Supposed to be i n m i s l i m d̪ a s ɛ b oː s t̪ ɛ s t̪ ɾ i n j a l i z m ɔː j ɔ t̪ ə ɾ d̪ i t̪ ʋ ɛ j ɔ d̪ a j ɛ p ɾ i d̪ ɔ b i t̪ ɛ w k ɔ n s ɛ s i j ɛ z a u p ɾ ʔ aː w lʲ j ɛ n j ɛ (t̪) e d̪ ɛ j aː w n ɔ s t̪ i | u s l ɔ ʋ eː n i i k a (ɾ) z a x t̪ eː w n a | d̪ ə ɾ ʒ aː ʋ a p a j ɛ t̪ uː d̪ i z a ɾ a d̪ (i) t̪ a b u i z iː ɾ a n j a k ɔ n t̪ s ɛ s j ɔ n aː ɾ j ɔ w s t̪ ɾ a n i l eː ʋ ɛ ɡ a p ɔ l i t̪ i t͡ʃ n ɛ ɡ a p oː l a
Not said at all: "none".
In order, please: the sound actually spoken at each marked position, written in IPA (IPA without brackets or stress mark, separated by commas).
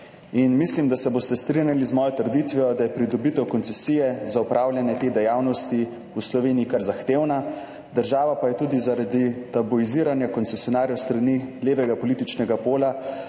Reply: t̪, ɾ, i